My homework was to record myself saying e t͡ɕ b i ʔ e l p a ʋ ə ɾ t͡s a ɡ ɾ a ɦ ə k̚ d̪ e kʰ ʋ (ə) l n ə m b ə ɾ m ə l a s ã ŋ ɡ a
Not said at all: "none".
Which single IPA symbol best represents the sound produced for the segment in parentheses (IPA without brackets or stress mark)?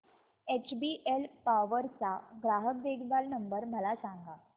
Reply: a